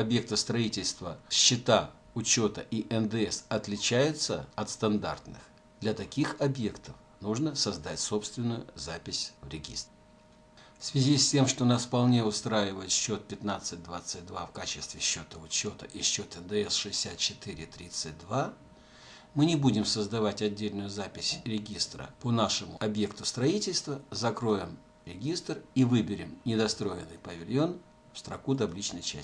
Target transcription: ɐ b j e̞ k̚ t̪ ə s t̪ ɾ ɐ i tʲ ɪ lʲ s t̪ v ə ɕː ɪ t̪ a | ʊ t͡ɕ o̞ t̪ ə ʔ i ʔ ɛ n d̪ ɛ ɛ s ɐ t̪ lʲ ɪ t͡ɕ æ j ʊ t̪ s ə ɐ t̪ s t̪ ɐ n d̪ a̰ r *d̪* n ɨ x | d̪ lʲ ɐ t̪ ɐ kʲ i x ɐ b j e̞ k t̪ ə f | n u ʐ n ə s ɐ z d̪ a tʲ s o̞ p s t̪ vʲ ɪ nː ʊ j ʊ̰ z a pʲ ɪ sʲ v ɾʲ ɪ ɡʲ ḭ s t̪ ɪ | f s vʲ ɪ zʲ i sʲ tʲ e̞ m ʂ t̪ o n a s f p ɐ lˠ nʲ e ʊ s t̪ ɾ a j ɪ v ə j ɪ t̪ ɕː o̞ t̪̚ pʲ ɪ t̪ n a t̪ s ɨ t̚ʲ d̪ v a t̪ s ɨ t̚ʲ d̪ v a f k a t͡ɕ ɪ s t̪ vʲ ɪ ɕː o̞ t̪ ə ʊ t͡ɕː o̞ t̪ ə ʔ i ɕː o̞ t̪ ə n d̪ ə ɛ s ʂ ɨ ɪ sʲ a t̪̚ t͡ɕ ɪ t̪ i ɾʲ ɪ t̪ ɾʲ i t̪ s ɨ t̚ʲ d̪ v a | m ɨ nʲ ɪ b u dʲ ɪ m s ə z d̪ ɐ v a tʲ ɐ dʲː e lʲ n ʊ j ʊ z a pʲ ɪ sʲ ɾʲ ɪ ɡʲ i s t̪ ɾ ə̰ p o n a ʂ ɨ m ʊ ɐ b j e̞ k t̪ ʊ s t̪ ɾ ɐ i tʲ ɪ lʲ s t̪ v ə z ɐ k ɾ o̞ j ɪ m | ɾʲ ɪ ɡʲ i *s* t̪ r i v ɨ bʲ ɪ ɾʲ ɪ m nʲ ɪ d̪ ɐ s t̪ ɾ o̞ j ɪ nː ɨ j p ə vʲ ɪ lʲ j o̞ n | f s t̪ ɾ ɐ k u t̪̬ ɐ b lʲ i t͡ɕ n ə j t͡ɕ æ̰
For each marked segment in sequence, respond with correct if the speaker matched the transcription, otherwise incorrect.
incorrect: t̪, correct

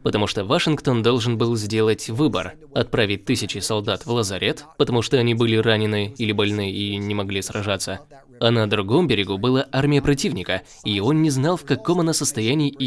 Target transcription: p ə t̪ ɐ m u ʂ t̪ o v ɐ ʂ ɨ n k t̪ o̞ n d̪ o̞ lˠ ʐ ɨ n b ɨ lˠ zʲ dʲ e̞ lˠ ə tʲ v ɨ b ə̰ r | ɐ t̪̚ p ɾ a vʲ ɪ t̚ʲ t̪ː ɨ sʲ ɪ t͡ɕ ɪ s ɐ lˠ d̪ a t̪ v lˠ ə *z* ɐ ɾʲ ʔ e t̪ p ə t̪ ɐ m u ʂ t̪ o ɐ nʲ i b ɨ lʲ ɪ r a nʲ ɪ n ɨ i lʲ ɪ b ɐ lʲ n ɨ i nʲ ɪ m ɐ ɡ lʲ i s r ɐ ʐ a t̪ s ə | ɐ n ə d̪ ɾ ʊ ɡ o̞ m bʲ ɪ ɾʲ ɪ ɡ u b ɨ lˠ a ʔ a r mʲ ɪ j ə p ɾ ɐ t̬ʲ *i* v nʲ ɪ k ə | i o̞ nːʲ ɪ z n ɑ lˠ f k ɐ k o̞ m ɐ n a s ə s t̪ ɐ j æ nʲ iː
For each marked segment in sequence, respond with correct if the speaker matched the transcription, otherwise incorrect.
correct, correct

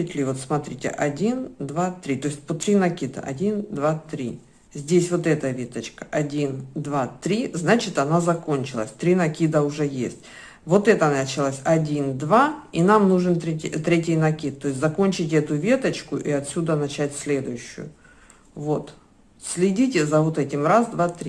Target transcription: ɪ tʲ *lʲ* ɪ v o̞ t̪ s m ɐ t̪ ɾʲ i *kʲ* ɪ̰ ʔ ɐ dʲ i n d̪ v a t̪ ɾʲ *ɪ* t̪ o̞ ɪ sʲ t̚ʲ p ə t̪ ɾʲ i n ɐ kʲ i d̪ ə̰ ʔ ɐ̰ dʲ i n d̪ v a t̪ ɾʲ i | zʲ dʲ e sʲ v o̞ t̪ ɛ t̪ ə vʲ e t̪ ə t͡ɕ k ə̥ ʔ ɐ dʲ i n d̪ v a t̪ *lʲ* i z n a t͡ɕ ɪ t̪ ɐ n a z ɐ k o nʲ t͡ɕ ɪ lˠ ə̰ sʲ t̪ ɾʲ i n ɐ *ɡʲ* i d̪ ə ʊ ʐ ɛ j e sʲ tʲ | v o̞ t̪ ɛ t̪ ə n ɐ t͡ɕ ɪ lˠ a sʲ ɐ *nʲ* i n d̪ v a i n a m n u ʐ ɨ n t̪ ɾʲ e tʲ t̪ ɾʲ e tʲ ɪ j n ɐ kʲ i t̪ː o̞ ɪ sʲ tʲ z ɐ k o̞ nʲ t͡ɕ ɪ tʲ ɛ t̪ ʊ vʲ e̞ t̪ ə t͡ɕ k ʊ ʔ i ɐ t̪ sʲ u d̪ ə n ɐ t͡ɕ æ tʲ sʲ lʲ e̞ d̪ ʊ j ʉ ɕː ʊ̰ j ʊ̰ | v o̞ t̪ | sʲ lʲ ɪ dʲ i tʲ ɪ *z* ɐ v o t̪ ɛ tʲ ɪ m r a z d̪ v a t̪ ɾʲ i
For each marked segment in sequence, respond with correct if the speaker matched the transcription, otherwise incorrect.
correct, incorrect: tʲ, incorrect: i, incorrect: ɾʲ, incorrect: kʲ, incorrect: dʲ, correct

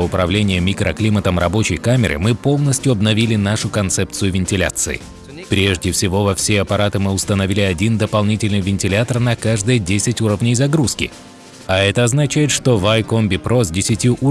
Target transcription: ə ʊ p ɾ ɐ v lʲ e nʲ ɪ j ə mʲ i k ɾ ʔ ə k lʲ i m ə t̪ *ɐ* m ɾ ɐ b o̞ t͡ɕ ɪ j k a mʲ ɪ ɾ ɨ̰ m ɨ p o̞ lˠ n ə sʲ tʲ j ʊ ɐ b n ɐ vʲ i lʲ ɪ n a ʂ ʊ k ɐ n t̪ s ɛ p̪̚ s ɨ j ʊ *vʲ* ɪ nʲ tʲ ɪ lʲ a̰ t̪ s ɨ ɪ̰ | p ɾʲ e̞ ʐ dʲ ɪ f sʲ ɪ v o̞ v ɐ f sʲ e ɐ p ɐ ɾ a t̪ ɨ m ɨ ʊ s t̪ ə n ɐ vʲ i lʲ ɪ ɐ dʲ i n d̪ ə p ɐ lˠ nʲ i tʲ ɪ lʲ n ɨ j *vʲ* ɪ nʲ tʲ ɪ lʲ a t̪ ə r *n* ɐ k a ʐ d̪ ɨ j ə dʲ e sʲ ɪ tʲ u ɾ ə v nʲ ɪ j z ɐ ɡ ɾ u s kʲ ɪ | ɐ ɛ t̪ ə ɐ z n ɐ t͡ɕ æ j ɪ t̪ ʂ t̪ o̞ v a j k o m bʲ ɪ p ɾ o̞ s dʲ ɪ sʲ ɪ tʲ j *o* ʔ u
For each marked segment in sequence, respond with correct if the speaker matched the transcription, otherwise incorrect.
incorrect: ə, correct, correct, correct, incorrect: u

